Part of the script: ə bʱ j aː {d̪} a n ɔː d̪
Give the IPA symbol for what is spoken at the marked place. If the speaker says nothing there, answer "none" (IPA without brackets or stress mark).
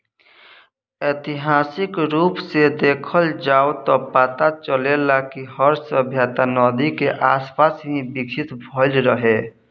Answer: t̪